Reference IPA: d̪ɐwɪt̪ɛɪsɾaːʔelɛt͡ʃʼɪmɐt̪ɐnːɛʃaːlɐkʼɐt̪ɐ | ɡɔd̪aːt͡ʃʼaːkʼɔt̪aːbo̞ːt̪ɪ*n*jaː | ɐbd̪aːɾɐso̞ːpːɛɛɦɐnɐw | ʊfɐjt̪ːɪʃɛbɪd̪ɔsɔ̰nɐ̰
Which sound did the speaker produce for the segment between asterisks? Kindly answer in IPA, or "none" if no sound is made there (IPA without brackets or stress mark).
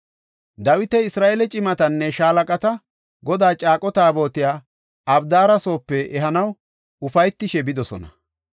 none